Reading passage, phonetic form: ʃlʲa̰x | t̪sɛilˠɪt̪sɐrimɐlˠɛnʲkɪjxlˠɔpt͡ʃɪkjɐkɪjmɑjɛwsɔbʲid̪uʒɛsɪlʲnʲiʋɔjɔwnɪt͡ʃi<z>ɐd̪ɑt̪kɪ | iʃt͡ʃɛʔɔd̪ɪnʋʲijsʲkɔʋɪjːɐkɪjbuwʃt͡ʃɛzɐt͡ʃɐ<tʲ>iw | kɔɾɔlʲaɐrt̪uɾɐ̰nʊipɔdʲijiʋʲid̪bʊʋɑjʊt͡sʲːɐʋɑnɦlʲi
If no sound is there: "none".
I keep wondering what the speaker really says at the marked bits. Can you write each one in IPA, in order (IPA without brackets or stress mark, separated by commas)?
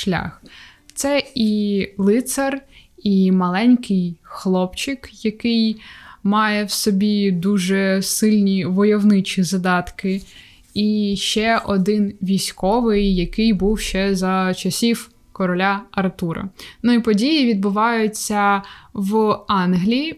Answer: z, sʲ